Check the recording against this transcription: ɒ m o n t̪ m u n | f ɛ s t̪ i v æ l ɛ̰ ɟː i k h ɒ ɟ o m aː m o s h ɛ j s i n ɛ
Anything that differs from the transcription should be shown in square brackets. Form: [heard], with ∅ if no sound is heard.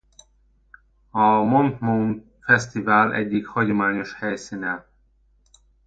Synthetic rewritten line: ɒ m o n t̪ m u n | f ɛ s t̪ i v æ l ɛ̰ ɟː i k h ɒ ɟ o m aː [ɲ] o [ʃ] h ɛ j s i n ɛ